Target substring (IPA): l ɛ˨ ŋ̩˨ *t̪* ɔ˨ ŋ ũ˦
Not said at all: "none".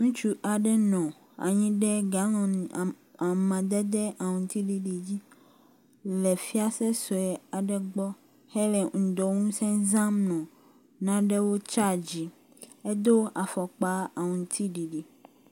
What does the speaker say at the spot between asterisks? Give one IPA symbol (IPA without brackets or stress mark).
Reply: d̪